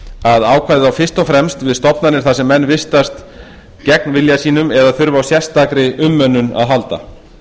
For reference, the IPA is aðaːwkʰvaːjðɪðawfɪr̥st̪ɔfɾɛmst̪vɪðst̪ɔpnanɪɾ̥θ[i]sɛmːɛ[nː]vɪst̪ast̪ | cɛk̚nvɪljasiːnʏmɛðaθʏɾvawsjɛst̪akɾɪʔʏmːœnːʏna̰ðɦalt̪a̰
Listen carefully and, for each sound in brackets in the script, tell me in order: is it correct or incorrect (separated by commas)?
incorrect, correct